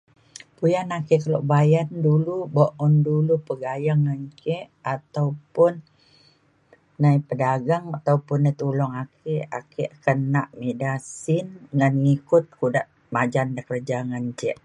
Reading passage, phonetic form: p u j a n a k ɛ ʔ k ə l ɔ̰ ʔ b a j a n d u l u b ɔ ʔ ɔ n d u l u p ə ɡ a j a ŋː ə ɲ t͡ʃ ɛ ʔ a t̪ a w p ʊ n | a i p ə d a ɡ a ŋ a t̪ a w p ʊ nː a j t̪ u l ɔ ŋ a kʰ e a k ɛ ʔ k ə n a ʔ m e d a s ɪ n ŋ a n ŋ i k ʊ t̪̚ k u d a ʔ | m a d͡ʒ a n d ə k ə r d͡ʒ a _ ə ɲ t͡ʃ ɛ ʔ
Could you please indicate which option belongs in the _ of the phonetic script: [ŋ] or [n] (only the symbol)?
ŋ